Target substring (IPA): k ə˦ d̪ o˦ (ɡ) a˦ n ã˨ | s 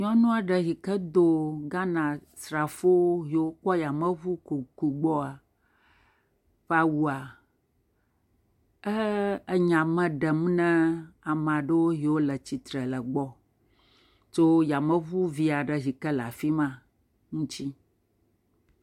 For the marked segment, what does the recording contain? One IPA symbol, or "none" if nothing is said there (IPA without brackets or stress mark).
ɡ